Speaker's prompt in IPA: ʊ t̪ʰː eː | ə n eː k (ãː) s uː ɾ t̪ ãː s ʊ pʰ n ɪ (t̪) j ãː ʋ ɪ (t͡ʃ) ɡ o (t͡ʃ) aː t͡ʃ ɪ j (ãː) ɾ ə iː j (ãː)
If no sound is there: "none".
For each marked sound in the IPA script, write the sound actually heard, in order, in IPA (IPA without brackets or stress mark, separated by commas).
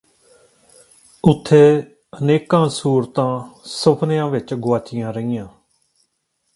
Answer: ãː, none, t͡ʃ, none, ãː, ãː